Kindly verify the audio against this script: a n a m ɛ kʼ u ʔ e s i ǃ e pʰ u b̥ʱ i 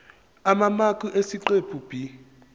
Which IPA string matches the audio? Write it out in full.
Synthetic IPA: a m a m a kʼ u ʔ e s i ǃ e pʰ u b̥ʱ i

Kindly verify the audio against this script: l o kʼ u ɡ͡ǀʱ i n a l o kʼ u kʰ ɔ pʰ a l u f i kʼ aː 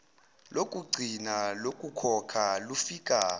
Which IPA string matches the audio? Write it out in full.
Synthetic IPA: l o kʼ u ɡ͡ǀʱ i n a l o kʼ u kʰ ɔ kʰ a l u f i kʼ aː

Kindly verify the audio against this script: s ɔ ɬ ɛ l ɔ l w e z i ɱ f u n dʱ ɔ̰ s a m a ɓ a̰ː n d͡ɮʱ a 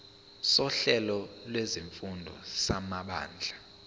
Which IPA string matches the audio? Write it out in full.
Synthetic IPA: s ɔ ɬ ɛ l ɔ l w e z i ɱ f u n dʱ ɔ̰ s a m a ɓ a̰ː n d͡ɮʱ a

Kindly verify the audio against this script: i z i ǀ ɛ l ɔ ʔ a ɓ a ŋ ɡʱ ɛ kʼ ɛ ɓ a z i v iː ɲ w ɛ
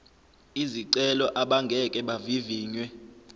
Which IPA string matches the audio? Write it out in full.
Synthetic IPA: i z i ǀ ɛ l ɔ ʔ a ɓ a ŋ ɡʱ ɛ kʼ ɛ ɓ a v i v iː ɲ w ɛ

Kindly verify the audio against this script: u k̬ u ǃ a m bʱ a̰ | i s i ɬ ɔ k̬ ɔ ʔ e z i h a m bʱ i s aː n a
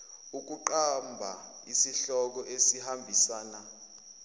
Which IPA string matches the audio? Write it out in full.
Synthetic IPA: u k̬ u ǃ a m bʱ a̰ | i s i ɬ ɔ k̬ ɔ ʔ e s i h a m bʱ i s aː n a

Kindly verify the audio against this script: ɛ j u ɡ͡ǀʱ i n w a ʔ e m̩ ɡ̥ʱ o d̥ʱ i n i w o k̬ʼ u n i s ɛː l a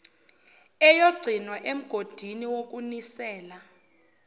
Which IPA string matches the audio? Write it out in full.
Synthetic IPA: ɛ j o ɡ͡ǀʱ i n w a ʔ e m̩ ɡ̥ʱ o d̥ʱ i n i w o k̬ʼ u n i s ɛː l a

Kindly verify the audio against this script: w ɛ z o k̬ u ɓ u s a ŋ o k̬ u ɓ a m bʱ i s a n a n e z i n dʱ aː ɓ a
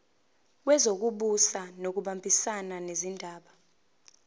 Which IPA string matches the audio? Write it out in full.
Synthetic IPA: w ɛ z o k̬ u ɓ u s a n o k̬ u ɓ a m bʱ i s a n a n e z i n dʱ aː ɓ a

